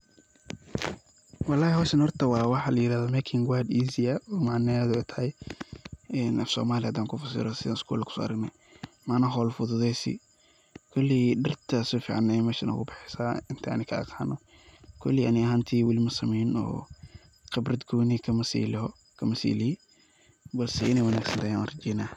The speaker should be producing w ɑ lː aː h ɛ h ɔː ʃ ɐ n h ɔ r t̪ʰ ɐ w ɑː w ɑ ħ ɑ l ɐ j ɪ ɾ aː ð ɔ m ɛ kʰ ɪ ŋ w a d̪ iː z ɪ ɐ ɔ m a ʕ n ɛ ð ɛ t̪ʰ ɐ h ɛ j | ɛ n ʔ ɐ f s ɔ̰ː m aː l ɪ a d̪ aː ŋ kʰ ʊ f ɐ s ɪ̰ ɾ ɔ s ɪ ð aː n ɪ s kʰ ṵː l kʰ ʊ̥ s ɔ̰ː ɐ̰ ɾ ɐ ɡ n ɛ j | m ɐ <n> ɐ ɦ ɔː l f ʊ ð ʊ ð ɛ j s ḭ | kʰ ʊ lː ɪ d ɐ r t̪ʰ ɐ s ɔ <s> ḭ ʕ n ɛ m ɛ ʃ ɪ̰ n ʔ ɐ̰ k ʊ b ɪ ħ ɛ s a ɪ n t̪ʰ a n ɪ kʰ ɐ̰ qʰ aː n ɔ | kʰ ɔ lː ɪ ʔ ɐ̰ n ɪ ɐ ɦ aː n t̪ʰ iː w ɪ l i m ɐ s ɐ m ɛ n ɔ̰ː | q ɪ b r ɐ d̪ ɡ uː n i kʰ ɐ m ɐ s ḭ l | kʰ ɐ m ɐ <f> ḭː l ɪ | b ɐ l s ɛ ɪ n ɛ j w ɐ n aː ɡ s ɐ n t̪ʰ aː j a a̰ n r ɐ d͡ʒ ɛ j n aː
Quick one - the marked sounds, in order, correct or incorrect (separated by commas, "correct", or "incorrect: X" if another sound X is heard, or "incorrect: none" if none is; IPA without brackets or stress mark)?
correct, incorrect: f, incorrect: s